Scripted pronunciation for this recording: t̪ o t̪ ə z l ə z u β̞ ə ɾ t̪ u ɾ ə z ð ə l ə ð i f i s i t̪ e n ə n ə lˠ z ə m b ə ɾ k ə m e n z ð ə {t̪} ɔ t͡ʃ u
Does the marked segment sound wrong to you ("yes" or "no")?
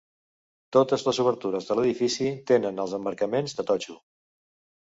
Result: no